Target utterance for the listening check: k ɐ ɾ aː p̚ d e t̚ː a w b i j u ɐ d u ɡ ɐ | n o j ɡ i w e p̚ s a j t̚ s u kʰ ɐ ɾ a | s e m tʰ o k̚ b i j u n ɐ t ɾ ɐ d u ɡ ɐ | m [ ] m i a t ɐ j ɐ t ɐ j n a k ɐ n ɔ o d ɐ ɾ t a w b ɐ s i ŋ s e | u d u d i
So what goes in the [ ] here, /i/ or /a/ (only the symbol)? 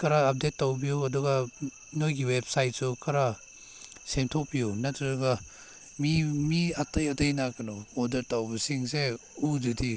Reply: i